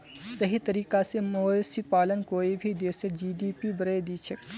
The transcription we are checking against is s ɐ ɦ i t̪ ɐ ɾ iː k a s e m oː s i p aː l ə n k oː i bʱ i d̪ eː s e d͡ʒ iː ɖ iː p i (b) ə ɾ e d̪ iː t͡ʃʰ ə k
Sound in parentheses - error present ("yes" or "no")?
no